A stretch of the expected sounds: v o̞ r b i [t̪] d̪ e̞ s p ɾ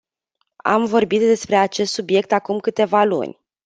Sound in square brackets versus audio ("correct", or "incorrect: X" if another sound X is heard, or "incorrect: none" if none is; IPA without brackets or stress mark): correct